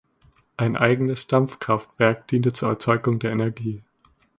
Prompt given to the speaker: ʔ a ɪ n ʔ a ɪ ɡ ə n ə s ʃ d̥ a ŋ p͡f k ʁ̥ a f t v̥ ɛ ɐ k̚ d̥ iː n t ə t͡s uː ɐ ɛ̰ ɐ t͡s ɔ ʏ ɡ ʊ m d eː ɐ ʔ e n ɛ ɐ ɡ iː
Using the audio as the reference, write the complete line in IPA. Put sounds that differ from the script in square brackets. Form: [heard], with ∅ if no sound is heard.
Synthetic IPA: ʔ a ɪ n ʔ a ɪ ɡ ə n ə s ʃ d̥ a [m] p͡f k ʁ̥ a f t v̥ ɛ ɐ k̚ d̥ iː n t ə t͡s uː ɐ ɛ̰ ɐ t͡s ɔ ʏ ɡ ʊ [ŋ] d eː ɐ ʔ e n ɛ ɐ ɡ iː